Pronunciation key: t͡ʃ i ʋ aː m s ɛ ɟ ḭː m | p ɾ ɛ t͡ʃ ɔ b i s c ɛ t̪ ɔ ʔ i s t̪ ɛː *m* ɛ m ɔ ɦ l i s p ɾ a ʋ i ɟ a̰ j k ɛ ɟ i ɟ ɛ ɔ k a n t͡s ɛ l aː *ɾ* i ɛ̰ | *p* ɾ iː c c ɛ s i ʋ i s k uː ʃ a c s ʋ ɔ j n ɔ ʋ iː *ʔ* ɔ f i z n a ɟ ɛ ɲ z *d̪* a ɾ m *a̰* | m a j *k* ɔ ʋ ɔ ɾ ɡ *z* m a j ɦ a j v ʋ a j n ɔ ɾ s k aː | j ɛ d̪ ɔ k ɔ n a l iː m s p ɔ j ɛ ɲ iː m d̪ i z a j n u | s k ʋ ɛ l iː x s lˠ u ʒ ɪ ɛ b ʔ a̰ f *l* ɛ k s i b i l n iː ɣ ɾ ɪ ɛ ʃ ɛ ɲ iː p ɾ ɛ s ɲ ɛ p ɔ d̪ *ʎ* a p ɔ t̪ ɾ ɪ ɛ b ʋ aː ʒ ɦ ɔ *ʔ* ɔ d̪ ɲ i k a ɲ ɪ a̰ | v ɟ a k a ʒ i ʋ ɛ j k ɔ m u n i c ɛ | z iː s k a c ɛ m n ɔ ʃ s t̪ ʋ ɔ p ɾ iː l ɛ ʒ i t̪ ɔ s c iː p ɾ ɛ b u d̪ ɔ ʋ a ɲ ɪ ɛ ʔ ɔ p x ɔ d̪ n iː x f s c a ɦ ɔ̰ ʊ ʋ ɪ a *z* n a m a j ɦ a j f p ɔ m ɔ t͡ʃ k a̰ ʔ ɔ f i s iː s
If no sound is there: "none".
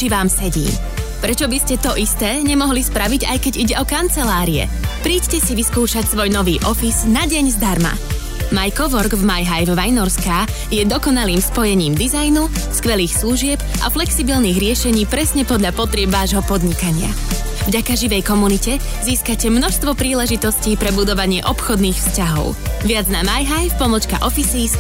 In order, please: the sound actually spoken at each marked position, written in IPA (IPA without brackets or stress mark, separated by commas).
ɲ, ɾ, p, ʔ, d̪, a̰, k, v, l, ʎ, p, d͡z